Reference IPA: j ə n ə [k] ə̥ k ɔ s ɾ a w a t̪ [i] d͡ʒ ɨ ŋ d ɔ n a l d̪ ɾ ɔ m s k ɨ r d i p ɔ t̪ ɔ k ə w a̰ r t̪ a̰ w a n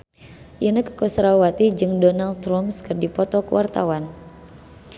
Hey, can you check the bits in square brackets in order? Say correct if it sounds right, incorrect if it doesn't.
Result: correct, correct

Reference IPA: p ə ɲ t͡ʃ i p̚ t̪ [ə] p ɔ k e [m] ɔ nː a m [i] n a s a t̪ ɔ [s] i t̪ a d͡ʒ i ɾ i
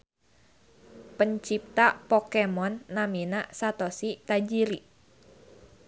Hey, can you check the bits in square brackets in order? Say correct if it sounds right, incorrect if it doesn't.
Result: incorrect: a, correct, correct, correct

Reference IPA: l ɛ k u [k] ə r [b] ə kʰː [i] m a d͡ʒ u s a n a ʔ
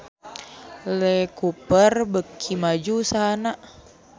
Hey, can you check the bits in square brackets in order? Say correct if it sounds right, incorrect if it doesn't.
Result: incorrect: p, correct, correct

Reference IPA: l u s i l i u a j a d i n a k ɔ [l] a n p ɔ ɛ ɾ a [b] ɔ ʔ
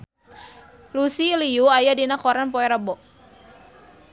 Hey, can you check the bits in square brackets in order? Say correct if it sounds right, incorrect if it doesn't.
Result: incorrect: ɾ, correct

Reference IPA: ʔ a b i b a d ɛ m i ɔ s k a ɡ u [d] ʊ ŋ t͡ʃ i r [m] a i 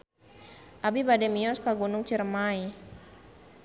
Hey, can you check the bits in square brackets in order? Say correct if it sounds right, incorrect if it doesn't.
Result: incorrect: n, correct

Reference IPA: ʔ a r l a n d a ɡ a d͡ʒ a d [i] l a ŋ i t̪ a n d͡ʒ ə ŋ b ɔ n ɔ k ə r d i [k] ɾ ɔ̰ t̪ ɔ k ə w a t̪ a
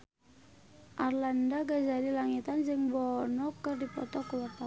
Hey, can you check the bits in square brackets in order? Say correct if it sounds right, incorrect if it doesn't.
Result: correct, incorrect: p

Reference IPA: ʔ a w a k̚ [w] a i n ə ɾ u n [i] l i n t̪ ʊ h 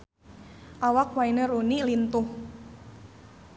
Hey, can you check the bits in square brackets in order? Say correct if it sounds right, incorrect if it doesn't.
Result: correct, correct

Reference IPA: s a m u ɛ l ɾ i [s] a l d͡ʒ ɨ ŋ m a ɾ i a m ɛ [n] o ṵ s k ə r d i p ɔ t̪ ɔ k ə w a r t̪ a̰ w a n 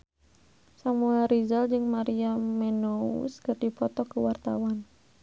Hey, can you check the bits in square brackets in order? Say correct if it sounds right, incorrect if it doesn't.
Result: incorrect: z, correct

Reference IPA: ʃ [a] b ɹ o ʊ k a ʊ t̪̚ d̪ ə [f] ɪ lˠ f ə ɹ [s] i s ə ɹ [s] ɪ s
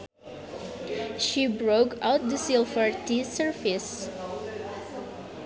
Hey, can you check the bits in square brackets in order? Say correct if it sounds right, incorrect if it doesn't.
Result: incorrect: i, incorrect: s, incorrect: t, incorrect: f

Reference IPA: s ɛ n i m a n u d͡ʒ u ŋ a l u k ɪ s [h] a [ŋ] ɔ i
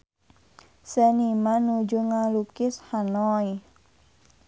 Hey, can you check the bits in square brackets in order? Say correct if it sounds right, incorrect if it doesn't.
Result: correct, incorrect: n

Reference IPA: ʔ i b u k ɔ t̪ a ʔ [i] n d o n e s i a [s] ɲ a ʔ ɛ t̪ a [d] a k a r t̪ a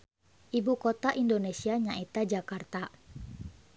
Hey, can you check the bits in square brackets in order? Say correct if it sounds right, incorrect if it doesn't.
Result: correct, incorrect: none, incorrect: d͡ʒ

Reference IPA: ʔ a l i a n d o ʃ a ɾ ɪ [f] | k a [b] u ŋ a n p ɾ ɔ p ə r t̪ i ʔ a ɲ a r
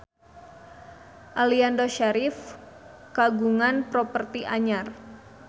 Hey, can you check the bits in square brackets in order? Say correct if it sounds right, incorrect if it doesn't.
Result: correct, incorrect: ɡ

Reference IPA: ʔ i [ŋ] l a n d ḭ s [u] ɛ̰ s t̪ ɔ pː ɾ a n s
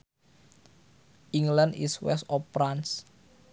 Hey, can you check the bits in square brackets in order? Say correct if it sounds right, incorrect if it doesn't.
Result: correct, incorrect: w

